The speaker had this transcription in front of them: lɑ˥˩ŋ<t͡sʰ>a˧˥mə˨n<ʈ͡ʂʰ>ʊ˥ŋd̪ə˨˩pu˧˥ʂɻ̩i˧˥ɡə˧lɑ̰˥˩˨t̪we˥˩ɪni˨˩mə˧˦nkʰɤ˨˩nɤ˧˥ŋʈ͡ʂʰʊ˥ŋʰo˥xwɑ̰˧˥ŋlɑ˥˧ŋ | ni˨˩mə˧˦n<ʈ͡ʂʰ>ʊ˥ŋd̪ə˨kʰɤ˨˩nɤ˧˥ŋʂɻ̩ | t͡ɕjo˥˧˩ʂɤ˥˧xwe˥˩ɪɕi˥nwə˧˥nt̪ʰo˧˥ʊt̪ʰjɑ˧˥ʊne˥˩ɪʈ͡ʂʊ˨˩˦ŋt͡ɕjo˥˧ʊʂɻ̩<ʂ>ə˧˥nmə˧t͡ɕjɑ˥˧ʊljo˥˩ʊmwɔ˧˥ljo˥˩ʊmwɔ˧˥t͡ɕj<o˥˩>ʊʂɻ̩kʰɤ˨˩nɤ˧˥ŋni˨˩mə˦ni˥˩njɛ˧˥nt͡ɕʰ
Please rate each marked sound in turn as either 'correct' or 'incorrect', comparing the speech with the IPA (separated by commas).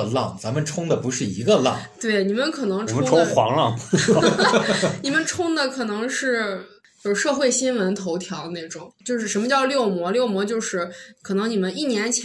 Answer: incorrect, correct, correct, correct, incorrect